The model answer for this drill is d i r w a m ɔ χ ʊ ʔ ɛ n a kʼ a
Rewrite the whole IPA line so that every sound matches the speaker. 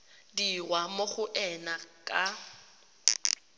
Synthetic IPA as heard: d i r w a m o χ ʊ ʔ ɛ n a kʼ a